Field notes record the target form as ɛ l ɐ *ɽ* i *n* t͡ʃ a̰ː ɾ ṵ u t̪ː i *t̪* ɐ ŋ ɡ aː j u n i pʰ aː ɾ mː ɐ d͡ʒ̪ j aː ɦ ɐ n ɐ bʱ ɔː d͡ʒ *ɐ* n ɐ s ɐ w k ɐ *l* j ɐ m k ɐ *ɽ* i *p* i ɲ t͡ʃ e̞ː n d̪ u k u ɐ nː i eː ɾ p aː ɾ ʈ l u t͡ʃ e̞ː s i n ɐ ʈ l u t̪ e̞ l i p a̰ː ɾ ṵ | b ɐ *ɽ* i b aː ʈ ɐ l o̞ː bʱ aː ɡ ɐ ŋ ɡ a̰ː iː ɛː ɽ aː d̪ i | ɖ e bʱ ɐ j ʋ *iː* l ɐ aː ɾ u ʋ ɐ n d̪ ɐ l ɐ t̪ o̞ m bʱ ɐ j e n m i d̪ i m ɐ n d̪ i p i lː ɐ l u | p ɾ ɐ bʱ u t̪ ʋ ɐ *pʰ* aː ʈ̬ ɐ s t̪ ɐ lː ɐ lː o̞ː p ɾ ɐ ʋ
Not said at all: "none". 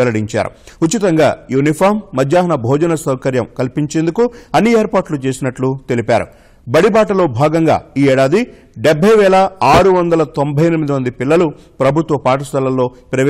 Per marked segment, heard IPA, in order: ɽ, ɲ, t̪, ɐ, ɾ, l, p, ɽ, ɛː, p

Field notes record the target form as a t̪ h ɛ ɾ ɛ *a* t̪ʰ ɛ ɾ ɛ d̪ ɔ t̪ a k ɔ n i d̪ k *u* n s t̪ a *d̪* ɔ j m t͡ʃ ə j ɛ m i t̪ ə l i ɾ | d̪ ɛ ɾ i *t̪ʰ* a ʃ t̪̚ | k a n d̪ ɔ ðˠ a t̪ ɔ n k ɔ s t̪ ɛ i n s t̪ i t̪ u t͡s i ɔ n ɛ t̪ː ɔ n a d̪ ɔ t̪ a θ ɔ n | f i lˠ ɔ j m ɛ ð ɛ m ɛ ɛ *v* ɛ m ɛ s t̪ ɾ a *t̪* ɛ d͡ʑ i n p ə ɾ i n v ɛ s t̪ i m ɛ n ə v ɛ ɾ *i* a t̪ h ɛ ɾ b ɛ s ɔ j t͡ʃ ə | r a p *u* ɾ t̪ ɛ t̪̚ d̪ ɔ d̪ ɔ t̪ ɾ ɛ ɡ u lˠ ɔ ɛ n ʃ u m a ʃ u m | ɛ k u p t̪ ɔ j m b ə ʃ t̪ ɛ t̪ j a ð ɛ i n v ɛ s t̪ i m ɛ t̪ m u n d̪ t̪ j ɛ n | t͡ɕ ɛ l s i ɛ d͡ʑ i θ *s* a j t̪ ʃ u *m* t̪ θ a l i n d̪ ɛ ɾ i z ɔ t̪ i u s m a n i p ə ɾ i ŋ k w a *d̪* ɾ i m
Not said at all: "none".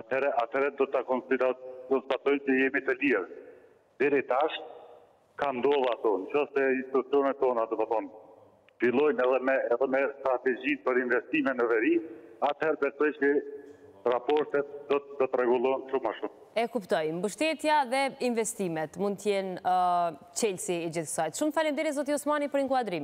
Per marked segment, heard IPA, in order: a, ɔ, t̪, t̪, ð, t̪, i, ɔ, s, m, d̪

